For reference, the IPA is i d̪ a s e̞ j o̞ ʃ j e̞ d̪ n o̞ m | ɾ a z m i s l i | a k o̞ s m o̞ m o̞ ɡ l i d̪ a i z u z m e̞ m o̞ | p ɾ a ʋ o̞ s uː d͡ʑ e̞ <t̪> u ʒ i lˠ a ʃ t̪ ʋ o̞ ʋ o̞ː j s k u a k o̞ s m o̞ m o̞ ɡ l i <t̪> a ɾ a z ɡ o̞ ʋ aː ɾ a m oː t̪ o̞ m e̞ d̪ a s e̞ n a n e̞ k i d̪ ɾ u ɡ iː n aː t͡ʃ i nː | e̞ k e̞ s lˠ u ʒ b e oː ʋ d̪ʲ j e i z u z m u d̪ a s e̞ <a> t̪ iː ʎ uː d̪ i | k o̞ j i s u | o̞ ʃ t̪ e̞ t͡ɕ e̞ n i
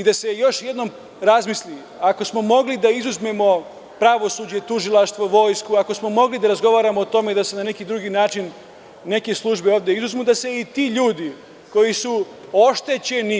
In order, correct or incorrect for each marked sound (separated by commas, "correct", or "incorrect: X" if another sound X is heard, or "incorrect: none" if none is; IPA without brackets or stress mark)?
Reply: correct, incorrect: d̪, incorrect: i